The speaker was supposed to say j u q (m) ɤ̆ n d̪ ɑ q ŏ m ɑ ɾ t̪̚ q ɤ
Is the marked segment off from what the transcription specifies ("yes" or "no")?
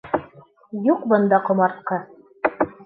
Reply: yes